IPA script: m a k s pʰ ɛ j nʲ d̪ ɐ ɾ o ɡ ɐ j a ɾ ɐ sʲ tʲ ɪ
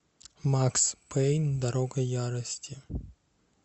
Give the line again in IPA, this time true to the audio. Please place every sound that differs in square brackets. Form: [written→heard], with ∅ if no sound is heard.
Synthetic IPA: m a k s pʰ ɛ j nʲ d̪ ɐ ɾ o ɡ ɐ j a ɾ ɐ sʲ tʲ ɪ